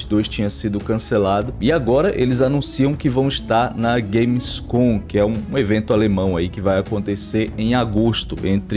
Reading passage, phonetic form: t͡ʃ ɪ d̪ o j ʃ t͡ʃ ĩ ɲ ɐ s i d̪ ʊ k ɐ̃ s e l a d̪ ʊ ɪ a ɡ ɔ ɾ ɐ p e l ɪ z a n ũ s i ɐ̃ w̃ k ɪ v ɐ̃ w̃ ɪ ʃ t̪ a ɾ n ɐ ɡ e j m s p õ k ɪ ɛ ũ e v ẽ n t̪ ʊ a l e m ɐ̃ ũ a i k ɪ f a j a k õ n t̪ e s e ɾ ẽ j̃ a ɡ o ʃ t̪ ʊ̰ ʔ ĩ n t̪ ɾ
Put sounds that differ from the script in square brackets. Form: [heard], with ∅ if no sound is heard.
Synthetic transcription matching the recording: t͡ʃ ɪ d̪ o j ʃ t͡ʃ ĩ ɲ ɐ s i d̪ ʊ k ɐ̃ s e l a d̪ ʊ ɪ a ɡ ɔ ɾ ɐ [ʔ] e l ɪ z a n ũ s i ɐ̃ w̃ k ɪ v ɐ̃ w̃ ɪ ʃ t̪ a ɾ n ɐ ɡ e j m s [k] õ k ɪ ɛ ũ e v ẽ n t̪ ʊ a l e m ɐ̃ [w̃] a i k ɪ [v] a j a k õ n t̪ e s e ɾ ẽ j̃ a ɡ o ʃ t̪ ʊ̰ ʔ [ẽ] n t̪ ɾ